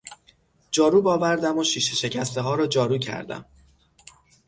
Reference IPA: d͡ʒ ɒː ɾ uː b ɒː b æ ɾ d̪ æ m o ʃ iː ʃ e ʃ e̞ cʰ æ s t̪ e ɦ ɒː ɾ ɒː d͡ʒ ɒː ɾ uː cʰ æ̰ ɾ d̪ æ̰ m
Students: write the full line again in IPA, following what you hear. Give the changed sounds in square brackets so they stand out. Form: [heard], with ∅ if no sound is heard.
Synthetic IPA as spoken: d͡ʒ ɒː ɾ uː b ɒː [v] æ ɾ d̪ æ m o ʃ iː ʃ e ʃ e̞ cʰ æ s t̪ e ɦ ɒː ɾ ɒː d͡ʒ ɒː ɾ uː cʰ æ̰ ɾ d̪ æ̰ m